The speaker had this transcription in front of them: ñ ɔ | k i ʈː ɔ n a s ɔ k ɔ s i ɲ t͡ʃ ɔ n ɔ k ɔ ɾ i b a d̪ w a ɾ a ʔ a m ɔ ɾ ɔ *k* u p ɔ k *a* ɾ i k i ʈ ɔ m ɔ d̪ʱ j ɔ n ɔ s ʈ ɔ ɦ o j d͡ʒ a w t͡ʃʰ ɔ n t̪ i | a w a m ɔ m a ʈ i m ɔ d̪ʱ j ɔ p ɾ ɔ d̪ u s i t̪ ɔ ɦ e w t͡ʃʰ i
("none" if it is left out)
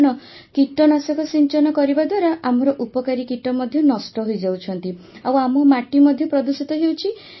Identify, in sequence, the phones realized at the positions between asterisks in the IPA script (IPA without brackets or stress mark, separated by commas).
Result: ʔ, a